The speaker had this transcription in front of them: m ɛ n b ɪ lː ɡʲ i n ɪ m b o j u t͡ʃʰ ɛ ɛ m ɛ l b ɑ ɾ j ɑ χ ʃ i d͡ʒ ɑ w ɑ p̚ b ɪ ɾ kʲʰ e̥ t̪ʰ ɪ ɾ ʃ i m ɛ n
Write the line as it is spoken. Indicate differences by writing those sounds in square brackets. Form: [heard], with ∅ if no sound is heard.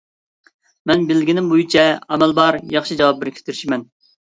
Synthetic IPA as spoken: m ɛ n b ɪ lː ɡʲ i n ɪ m b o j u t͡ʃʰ ɛ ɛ m ɛ l b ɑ ɾ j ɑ χ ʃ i d͡ʒ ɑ w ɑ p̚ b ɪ ɾ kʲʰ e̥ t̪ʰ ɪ ɾ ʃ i m ɛ n